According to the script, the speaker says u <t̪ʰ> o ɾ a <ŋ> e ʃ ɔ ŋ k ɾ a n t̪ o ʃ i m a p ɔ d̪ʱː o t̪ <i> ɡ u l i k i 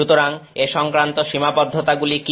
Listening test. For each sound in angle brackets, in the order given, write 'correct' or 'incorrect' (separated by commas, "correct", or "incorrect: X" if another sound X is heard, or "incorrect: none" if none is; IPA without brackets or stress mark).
incorrect: t̪, correct, incorrect: a